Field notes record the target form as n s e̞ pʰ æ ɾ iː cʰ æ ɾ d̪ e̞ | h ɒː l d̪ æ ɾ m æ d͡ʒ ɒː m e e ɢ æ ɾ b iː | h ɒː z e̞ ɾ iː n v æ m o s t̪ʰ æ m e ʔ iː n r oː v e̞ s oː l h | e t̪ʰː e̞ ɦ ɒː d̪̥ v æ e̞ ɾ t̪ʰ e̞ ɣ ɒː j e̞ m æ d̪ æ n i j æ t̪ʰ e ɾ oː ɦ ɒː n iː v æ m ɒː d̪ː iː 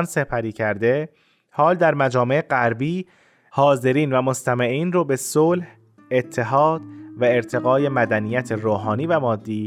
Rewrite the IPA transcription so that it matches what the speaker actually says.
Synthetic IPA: n s e̞ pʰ æ ɾ iː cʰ æ ɾ d̪ e̞ | h ɒː l d̪ æ ɾ m æ d͡ʒ ɒː m e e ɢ æ ɾ b iː | h ɒː z e̞ ɾ iː n v æ m o s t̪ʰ æ m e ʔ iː n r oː b e̞ s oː l h | e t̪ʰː e̞ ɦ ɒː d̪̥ v æ e̞ ɾ t̪ʰ e̞ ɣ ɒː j e̞ m æ d̪ æ n i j æ t̪ʰ e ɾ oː ɦ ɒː n iː v æ m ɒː d̪ː iː